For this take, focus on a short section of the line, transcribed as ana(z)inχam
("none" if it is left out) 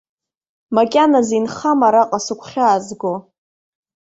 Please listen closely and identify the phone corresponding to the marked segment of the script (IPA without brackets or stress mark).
z